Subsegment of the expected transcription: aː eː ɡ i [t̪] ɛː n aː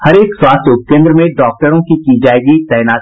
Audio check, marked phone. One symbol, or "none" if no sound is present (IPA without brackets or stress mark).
t̪